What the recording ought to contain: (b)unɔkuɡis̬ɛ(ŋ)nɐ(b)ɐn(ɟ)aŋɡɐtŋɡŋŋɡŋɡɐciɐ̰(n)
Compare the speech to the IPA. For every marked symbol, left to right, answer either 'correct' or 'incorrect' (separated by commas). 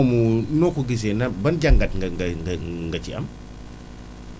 incorrect, incorrect, correct, correct, incorrect